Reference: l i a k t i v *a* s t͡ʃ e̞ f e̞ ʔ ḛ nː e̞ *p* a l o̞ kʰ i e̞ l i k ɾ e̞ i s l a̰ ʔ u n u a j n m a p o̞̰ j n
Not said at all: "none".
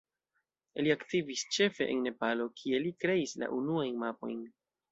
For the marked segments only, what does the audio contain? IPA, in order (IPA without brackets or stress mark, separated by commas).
i, p